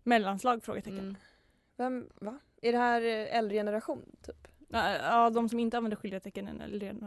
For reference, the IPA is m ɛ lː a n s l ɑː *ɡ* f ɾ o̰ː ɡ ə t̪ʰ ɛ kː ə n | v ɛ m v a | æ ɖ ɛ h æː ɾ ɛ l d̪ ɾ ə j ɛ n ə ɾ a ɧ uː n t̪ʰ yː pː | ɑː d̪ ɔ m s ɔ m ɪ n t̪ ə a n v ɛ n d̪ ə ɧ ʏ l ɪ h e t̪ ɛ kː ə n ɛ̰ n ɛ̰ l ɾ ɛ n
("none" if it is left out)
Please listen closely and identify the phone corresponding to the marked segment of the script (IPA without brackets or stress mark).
ɡ